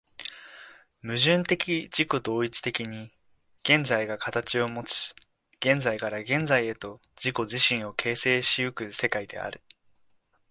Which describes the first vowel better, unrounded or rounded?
unrounded